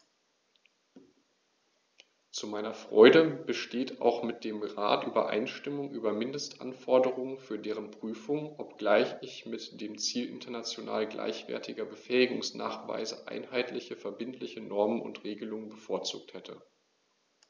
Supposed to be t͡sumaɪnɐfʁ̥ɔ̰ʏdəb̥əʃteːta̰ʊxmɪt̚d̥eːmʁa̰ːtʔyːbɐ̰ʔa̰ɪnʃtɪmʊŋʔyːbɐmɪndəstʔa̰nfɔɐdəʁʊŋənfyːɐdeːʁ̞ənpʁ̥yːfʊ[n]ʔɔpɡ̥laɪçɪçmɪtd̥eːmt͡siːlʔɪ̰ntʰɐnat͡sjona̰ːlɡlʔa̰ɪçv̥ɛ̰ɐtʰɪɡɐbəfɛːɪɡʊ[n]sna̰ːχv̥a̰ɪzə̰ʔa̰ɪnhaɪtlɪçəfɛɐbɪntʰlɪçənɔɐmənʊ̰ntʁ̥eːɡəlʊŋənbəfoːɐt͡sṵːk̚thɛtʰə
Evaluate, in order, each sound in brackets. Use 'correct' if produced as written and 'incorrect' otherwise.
incorrect: ŋ, incorrect: ŋ

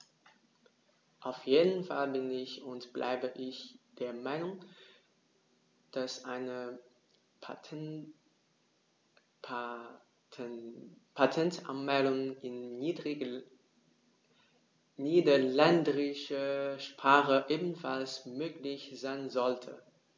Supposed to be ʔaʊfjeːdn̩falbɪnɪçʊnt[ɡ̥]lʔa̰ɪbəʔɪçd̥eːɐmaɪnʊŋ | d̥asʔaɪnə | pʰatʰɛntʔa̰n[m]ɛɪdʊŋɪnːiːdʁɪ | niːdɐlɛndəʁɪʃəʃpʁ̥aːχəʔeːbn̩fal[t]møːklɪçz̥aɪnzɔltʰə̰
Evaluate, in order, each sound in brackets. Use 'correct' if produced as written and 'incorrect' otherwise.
incorrect: b̥, correct, incorrect: s

